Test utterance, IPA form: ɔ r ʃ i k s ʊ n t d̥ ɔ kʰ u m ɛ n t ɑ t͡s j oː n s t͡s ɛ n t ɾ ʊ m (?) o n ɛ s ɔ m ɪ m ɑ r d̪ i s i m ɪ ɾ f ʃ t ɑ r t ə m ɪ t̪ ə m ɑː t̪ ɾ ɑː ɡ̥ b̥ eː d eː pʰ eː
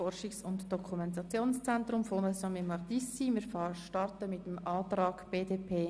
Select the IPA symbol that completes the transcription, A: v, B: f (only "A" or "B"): B